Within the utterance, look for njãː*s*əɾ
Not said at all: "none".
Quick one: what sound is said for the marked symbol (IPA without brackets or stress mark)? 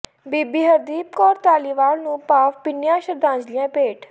ʃ